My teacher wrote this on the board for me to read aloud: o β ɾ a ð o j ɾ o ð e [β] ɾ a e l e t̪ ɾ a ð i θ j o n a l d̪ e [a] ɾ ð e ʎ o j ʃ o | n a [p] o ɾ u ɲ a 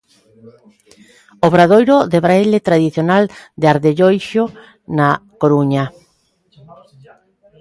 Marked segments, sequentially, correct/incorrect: correct, correct, incorrect

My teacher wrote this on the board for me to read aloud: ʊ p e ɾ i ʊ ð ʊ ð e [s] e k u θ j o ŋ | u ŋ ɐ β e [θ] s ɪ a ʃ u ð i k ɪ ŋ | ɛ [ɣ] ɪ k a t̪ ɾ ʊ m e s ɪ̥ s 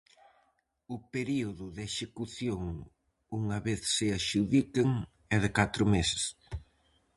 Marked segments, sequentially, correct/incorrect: incorrect, correct, incorrect

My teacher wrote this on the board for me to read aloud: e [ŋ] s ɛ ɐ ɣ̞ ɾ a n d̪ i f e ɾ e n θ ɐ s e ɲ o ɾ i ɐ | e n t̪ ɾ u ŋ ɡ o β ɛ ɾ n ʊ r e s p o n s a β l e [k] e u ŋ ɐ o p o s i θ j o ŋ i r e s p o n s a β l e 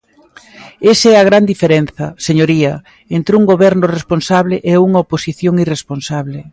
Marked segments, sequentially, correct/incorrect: incorrect, incorrect

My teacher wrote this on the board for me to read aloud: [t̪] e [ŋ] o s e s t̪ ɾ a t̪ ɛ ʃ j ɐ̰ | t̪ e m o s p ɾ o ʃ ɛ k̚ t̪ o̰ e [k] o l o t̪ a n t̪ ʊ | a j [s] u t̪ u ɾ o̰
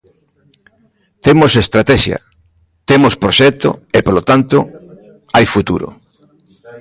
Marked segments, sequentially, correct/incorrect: correct, incorrect, incorrect, incorrect

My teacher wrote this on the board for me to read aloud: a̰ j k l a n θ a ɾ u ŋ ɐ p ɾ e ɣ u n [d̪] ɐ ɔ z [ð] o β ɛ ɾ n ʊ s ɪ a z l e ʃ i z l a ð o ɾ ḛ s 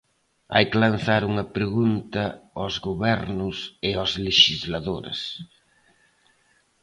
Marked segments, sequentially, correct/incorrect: incorrect, incorrect

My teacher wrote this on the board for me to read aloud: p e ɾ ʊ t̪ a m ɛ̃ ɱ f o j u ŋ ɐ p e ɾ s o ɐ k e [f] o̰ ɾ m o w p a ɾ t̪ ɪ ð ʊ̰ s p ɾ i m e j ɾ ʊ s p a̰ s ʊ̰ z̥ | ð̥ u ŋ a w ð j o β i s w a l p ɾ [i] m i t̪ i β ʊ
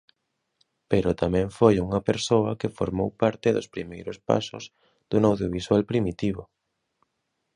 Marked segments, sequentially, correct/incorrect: correct, correct

